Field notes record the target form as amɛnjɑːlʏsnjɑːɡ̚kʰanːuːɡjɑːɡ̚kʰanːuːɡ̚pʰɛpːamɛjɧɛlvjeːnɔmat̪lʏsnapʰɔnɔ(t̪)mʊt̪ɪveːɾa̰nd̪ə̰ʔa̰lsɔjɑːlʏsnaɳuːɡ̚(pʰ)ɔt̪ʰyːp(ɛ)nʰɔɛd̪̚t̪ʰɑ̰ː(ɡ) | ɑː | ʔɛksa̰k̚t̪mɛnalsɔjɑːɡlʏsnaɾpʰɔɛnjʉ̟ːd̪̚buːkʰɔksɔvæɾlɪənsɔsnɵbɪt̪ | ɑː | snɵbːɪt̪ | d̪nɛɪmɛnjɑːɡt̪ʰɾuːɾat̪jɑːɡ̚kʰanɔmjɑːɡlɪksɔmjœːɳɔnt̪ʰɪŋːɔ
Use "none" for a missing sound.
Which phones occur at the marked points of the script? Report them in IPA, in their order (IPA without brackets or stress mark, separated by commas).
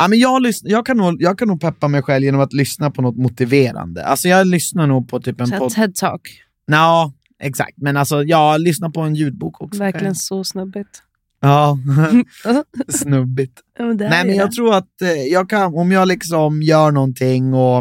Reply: t̪, pʰ, ɛ, k